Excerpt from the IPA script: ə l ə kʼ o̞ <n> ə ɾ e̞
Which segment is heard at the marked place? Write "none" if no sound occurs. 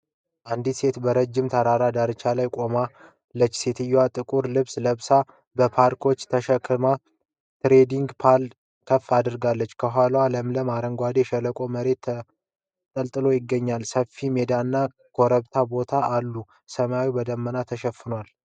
m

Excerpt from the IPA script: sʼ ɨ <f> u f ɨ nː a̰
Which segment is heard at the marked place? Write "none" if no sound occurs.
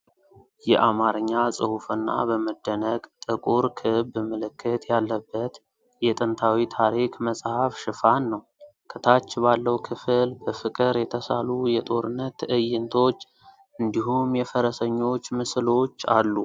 h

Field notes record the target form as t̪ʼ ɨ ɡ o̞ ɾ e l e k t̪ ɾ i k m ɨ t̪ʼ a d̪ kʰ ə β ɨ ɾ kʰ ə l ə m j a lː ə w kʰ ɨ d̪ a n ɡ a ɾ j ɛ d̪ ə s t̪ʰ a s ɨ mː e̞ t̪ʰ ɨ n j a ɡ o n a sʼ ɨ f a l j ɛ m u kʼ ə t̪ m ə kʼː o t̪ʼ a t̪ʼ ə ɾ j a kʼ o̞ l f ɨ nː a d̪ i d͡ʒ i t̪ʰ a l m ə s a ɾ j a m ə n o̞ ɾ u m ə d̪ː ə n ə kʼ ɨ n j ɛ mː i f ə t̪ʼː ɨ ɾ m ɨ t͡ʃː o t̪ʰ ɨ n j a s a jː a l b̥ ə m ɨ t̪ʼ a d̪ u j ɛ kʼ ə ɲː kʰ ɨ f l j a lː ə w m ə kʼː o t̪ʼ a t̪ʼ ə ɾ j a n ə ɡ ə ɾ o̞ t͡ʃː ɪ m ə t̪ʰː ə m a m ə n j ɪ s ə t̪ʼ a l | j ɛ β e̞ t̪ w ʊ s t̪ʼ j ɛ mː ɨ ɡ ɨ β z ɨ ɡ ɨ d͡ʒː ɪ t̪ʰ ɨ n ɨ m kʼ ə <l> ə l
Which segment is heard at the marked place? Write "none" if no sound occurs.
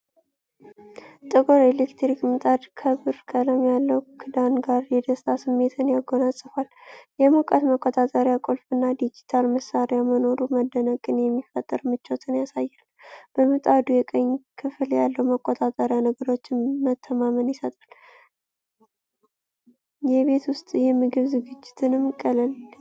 l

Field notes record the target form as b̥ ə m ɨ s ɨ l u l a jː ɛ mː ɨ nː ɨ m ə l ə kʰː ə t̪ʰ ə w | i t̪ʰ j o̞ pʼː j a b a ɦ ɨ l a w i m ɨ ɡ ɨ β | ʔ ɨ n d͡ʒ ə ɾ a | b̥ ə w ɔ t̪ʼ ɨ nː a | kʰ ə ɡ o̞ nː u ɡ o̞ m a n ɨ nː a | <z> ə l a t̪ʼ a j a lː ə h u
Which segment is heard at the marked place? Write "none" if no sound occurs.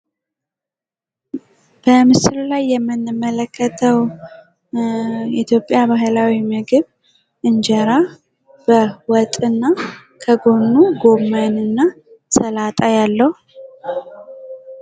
s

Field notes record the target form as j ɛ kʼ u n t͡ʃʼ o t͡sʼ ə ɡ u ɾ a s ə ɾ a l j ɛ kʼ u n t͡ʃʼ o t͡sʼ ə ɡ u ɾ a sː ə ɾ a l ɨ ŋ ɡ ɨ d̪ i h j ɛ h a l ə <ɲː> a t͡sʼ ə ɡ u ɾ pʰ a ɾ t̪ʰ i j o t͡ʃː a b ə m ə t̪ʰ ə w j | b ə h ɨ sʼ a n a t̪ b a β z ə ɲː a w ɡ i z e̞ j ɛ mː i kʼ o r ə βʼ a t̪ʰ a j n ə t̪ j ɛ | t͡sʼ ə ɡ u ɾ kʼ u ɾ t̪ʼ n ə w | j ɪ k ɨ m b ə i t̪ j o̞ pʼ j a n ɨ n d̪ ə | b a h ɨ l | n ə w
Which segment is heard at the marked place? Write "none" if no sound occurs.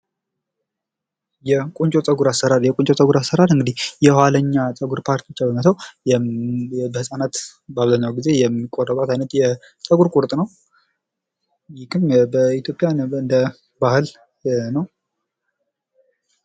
ɲː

